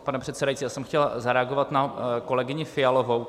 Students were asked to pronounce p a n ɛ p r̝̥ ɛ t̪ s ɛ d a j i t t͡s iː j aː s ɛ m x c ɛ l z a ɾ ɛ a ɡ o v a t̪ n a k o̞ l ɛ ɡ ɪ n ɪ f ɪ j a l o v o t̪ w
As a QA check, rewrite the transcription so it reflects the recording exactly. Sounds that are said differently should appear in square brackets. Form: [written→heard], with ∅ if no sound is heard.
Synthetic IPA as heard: p a n ɛ p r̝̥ ɛ t̪ s ɛ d a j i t t͡s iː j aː s ɛ m x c ɛ l z a ɾ ɛ a ɡ o v a t̪ n a k o̞ l ɛ ɡ ɪ [n→ɲ] ɪ f ɪ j a l o v o [t̪→∅] w